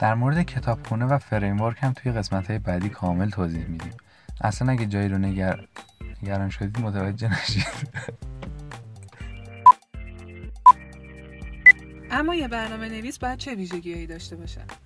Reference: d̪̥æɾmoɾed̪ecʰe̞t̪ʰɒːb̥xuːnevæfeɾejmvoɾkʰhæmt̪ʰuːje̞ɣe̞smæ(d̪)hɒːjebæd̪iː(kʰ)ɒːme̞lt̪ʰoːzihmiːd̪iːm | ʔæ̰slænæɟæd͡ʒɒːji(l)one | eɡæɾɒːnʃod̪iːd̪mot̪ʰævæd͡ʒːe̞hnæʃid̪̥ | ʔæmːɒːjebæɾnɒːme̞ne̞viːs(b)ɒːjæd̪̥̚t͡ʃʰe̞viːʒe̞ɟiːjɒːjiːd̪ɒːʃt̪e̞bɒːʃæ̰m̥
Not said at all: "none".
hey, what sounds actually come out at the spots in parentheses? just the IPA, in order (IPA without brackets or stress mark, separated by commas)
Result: t̪, kʰ, ɾ, b